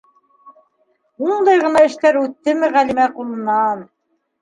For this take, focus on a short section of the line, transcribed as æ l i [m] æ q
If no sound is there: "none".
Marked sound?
m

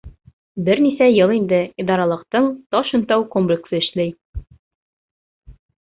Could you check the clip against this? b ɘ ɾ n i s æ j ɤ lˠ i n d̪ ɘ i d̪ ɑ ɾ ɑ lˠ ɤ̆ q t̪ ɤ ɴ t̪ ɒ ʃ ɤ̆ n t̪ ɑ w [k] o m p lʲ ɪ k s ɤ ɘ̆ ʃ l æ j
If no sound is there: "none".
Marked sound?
k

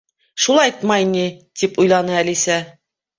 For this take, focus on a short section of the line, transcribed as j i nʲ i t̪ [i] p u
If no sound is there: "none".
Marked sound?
i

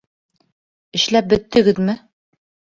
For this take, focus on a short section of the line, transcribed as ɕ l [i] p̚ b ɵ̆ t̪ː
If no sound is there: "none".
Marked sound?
æ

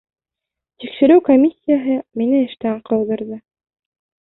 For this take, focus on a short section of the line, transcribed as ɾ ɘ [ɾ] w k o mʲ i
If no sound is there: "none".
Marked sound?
none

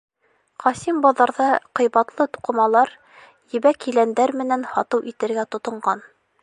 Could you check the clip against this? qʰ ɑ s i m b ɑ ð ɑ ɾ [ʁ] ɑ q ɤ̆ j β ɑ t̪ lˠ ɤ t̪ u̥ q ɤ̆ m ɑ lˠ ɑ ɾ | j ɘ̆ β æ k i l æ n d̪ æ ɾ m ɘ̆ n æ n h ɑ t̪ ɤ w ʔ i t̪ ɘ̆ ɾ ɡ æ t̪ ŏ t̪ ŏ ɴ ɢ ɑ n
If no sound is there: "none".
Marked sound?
ð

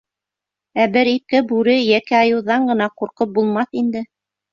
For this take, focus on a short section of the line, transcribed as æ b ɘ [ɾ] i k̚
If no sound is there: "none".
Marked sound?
ɾ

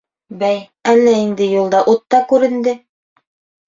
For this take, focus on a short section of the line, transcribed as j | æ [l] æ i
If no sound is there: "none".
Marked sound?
lː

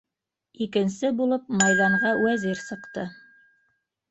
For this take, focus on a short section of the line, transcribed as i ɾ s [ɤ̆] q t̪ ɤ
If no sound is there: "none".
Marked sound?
ɤ̆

